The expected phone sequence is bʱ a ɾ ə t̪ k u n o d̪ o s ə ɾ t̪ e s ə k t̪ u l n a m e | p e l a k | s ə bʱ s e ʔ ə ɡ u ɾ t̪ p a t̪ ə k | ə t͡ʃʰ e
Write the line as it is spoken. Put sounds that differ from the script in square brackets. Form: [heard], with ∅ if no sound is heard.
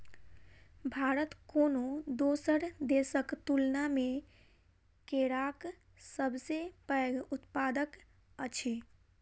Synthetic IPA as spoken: bʱ a ɾ ə t̪ k [o] n o d̪ o s ə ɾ [d̪] e s ə k t̪ u l n a m e | [k] e [ɾ] a k | s ə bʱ s e [p] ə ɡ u [∅] t̪ p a [d̪] ə k | ə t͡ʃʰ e